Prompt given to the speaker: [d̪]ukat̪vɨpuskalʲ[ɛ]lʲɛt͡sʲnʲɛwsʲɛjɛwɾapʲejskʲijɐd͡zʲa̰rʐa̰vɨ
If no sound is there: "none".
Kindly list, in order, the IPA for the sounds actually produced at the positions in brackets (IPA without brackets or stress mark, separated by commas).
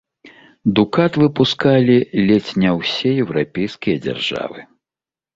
d̪, i